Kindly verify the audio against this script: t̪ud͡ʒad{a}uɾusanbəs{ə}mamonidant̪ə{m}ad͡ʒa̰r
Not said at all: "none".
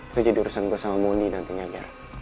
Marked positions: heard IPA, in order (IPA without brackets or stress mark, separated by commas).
i, a, ɲ